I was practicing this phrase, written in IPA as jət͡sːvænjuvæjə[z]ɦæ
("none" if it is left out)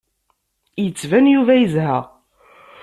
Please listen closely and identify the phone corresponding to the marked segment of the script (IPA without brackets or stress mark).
z